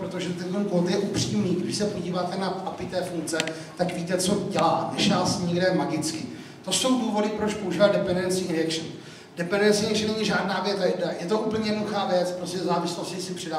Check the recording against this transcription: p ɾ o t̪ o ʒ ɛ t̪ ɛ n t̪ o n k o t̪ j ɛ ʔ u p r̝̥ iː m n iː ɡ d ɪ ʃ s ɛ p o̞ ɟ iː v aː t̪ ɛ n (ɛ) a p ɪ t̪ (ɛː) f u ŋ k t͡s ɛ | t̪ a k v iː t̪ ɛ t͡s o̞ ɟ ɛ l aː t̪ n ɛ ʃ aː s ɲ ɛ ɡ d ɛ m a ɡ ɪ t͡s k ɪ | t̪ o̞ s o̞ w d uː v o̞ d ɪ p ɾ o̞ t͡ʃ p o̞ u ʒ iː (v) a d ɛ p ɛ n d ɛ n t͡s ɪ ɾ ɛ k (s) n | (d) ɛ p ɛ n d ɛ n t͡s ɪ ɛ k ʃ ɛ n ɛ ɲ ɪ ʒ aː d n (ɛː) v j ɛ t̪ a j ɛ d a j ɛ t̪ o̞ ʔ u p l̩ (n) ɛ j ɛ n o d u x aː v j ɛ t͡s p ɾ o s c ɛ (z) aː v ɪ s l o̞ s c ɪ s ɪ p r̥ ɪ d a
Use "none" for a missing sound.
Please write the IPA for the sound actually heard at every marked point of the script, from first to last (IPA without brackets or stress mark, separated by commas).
a, ɛː, v, ʃ, d, aː, ɲ, z